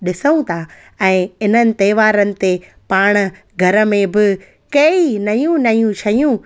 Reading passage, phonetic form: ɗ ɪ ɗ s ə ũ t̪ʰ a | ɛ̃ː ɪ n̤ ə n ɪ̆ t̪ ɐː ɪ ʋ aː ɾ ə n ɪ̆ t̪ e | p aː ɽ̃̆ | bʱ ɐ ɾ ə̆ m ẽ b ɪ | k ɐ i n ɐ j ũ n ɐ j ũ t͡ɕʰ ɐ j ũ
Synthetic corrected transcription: ɗ ɪ s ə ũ t̪ʰ a | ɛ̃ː ɪ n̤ ə n ɪ̆ t̪ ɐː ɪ ʋ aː ɾ ə n ɪ̆ t̪ e | p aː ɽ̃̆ | ɡʱ ɐ ɾ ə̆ m ẽ b ɪ | k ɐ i n ɐ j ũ n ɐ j ũ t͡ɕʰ ɐ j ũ